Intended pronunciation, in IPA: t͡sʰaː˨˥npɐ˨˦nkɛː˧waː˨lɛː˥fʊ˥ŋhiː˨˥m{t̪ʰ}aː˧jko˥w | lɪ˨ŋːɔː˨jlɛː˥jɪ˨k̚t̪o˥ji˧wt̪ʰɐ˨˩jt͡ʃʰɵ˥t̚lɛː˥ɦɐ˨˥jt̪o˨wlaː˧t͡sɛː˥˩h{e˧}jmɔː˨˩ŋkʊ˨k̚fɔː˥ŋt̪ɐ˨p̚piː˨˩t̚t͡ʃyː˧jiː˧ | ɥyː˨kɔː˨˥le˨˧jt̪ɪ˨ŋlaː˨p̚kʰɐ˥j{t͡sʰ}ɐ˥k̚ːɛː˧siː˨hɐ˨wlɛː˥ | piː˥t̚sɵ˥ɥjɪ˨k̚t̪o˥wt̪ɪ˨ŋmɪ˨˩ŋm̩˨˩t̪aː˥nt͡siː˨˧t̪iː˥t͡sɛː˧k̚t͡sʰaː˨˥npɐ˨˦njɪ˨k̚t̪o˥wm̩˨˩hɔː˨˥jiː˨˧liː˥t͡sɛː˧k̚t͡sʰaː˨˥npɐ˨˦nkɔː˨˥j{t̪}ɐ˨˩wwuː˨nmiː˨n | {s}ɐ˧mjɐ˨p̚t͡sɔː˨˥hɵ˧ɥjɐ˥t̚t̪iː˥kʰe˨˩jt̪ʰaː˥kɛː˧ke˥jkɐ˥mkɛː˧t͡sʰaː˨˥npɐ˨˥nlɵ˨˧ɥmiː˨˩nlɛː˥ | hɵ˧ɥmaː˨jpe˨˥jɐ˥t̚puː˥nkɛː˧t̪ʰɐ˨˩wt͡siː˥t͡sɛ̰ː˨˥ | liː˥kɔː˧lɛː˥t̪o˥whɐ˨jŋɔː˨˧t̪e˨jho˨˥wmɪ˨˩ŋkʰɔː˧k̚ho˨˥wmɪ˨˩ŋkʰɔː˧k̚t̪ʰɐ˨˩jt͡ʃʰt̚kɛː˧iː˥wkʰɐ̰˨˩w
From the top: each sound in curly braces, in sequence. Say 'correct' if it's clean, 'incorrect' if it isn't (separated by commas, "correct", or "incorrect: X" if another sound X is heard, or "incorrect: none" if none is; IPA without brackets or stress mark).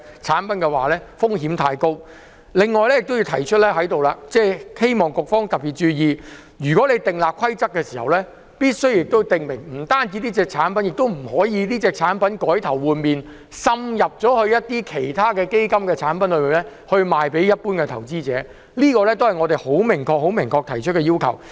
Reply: correct, incorrect: e˥, incorrect: t͡s, incorrect: t̪ʰ, correct